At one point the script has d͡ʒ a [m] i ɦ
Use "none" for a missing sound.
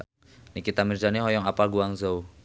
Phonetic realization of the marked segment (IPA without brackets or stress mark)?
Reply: n